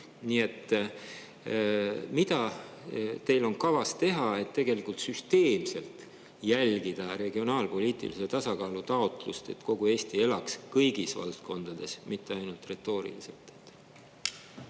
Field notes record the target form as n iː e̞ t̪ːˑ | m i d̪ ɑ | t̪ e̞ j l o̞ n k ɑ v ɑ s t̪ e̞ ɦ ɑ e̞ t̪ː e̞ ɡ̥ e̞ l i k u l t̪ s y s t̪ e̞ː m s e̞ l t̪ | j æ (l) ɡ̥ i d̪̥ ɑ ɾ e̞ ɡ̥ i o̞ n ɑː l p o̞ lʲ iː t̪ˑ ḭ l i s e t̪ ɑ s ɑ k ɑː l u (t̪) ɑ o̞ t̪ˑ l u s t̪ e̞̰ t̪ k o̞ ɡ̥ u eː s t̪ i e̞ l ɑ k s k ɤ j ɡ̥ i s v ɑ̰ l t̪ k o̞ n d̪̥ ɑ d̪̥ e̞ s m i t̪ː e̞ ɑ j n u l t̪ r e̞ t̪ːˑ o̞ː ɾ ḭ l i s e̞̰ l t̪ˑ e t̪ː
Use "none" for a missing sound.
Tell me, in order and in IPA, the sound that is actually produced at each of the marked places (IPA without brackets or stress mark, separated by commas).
l, t̪